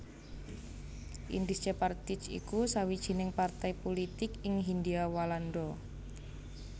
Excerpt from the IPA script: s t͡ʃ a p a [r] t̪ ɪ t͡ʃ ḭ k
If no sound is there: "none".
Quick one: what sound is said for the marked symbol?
r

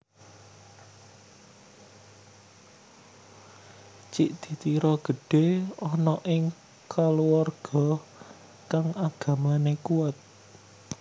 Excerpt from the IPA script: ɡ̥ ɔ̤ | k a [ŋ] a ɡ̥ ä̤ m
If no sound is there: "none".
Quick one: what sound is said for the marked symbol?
ŋ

